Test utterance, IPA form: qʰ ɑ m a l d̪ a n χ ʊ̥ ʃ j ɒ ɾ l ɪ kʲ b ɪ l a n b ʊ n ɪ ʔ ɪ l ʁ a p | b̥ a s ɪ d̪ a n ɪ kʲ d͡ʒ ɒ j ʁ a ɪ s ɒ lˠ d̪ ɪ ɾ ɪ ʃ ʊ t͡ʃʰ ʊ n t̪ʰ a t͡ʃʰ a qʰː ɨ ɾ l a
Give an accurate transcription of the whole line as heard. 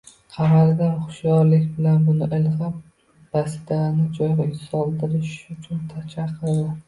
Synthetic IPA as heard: qʰ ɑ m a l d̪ a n χ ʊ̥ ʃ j ɒ ɾ l ɪ kʲ b ɪ l a n b ʊ n ɪ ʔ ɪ l ʁ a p | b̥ a s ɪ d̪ a n ɪ d͡ʒ ɒ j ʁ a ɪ s ɒ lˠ d̪ ɪ ɾ ɪ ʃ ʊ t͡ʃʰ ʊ n t̪ʰ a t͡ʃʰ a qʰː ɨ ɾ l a